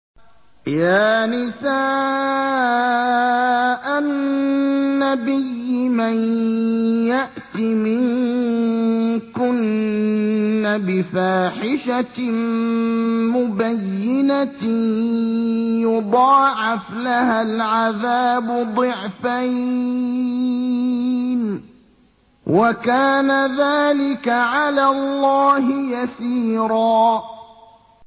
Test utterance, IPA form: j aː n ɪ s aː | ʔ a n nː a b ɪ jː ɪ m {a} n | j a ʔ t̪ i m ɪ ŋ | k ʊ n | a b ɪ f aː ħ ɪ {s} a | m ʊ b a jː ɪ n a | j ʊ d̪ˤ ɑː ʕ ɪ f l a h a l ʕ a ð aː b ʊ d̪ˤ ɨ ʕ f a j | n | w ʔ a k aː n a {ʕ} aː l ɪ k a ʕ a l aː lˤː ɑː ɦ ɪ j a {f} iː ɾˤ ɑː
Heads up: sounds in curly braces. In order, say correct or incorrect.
correct, incorrect: ʃ, incorrect: ð, incorrect: s

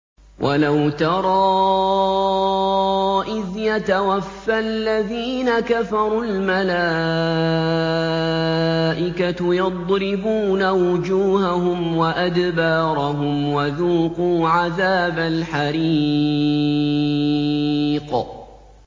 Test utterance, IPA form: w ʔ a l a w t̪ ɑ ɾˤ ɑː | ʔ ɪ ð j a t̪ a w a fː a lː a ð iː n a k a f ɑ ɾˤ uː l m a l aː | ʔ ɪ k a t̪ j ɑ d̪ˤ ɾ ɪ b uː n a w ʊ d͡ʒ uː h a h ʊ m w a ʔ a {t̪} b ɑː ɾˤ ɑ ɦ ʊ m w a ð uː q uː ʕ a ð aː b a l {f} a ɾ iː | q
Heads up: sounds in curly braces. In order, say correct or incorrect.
incorrect: d̪, incorrect: ħ

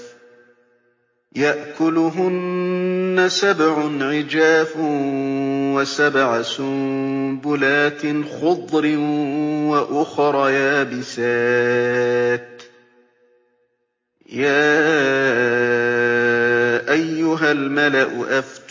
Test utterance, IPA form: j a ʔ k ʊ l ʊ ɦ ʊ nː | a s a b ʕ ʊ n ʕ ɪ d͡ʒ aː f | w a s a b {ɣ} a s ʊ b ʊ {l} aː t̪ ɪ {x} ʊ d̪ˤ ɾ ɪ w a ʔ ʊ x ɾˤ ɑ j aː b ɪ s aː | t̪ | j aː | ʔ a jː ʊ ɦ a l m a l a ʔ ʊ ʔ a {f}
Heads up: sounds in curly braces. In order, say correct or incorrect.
incorrect: ʕ, correct, correct, correct

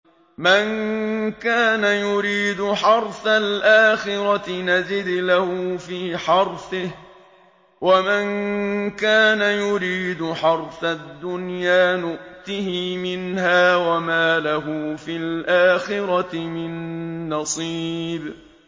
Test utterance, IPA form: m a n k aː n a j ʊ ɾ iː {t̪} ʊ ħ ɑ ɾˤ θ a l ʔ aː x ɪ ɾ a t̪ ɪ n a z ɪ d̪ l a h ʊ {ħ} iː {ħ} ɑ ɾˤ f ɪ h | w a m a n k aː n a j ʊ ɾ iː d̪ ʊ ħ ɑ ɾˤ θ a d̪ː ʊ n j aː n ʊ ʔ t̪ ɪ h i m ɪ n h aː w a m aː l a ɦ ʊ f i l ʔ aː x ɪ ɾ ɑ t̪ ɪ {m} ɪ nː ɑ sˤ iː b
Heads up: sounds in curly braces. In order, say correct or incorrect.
incorrect: d̪, incorrect: f, correct, correct

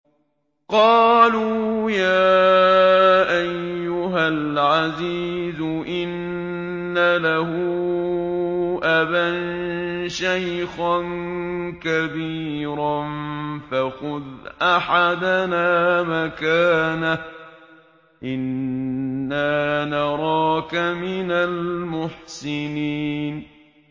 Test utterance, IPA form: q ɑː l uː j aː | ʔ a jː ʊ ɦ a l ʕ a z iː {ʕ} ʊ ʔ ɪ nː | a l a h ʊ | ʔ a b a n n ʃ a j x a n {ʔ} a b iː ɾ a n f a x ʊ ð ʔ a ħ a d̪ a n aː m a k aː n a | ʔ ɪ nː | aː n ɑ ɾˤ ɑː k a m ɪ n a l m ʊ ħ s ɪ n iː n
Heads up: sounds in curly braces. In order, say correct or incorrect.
incorrect: z, incorrect: k

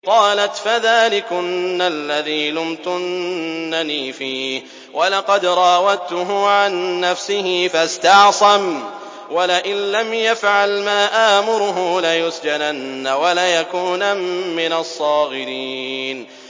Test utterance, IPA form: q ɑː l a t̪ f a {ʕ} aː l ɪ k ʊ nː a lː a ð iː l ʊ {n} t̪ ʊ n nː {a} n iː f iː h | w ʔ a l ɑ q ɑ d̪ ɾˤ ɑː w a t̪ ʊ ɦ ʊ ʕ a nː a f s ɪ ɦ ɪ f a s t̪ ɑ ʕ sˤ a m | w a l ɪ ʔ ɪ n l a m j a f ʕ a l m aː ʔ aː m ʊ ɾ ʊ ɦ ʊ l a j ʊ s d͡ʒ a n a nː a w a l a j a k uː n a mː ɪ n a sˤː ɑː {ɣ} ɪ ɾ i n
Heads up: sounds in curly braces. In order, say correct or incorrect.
incorrect: ð, incorrect: m, correct, correct

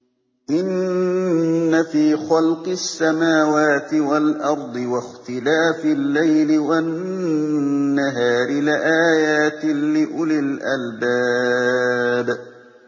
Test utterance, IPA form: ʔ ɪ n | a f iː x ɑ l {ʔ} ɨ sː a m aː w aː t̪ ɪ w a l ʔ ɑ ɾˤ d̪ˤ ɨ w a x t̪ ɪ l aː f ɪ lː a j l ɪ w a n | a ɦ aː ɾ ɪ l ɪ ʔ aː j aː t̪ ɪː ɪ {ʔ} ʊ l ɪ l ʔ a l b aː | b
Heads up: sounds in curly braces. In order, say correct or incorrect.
incorrect: q, correct

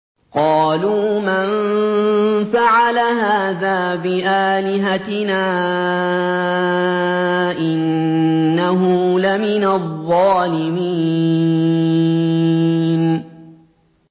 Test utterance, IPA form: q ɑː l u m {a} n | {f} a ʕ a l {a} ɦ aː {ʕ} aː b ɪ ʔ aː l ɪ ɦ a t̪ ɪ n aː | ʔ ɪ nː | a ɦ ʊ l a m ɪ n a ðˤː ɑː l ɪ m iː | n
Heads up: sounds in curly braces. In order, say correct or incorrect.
correct, correct, correct, incorrect: ð

